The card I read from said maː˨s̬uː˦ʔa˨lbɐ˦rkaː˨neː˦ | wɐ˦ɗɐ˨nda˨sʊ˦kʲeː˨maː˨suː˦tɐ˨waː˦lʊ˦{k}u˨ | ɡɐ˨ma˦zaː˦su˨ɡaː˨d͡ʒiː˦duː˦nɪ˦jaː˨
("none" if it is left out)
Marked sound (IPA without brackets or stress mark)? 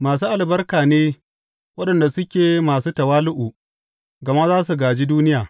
ʔ